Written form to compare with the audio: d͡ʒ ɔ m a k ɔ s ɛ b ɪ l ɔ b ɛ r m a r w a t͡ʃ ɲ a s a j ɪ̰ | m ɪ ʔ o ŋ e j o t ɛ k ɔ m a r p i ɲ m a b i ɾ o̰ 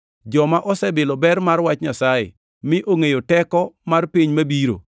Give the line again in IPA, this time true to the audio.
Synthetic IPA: d͡ʒ ɔ m a ʔ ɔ s ɛ b ɪ l ɔ b ɛ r m a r w a t͡ʃ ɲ a s a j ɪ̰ | m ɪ ʔ o ŋ e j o t ɛ k ɔ m a r p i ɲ m a b i ɾ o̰